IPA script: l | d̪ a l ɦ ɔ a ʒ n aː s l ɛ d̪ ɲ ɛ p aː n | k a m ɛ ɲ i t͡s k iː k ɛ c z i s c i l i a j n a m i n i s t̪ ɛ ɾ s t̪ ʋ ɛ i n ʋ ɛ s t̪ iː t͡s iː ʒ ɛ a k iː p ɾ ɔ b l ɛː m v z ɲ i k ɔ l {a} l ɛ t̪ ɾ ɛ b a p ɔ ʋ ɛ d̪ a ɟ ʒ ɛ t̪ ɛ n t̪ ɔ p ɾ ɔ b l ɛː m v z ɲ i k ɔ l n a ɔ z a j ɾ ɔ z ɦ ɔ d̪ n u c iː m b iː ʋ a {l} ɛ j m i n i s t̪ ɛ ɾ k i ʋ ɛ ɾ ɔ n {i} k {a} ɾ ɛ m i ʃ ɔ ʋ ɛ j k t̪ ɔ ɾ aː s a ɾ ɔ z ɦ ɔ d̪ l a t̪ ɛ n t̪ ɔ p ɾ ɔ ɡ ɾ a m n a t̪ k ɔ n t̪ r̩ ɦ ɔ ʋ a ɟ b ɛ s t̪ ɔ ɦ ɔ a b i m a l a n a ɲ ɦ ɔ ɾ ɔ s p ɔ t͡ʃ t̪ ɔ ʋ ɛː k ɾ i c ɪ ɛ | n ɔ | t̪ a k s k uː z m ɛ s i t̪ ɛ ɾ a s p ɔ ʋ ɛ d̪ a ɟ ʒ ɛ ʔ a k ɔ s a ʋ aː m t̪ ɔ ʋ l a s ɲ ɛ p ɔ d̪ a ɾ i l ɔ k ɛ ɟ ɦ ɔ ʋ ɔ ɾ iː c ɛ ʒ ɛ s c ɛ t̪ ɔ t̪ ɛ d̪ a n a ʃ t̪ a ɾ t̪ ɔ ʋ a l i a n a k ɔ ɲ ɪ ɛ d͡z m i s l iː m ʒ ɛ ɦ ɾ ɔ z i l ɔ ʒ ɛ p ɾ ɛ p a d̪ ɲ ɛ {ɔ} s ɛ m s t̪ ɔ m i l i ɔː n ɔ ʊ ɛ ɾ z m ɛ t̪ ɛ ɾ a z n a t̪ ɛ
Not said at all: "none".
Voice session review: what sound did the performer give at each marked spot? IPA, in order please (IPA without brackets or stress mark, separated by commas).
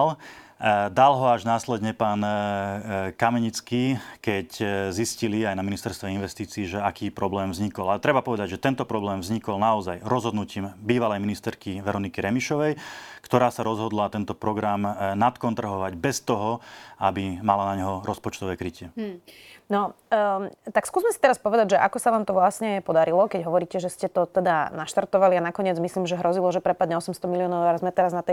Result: a, l, i, i, ɔ